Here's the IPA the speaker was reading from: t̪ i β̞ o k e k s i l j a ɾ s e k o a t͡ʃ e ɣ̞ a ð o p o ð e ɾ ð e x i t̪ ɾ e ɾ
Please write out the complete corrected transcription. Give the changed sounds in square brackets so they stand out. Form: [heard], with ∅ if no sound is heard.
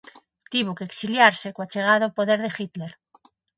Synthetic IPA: t̪ i β̞ o k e k s i l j a ɾ s e k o a t͡ʃ e ɣ̞ a ð o p o ð e ɾ ð e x i t̪ [l] e ɾ